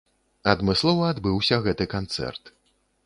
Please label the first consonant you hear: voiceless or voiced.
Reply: voiced